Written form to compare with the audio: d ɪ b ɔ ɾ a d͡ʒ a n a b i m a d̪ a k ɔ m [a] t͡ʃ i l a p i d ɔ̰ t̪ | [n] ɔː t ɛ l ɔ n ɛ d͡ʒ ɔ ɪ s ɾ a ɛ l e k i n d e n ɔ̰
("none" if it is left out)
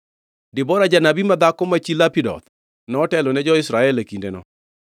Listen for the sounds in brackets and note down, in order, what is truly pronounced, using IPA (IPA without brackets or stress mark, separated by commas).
a, n